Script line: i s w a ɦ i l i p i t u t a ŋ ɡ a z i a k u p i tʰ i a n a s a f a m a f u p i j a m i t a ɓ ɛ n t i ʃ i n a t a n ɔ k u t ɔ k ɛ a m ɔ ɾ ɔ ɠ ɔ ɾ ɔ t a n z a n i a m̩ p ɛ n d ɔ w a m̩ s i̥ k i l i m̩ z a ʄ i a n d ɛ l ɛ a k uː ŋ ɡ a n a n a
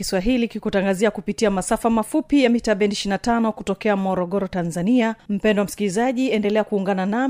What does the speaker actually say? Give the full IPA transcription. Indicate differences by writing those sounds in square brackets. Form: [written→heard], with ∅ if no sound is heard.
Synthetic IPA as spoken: i s w a ɦ i l i [p→k] i [t→k] u t a ŋ ɡ a z i a k u p i [tʰ→t] i a [n→m] a s a f a m a f u p i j a m i t a ɓ ɛ n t i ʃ i n a t a n ɔ k u t ɔ k ɛ a m ɔ ɾ ɔ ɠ ɔ ɾ ɔ t a n z a n i a m̩ p ɛ n d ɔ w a m̩ s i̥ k i l i [m̩→∅] z a ʄ i [a→ɛ] n d ɛ l ɛ a k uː ŋ ɡ a n a n a